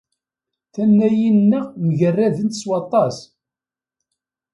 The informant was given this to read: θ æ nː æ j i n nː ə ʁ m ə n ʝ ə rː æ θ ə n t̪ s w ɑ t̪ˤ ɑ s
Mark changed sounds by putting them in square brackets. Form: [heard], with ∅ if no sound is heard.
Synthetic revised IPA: θ æ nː æ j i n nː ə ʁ m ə [∅] ʝ ə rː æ [ð] ə n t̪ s w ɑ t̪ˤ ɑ s